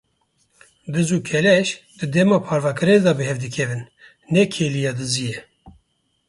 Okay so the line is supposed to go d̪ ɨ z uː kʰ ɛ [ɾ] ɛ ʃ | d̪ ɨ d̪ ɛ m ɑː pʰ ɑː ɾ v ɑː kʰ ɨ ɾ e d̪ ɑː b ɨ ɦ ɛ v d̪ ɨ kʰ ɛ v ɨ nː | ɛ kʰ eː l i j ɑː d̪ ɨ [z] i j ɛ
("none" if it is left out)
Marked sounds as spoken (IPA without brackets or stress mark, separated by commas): l, z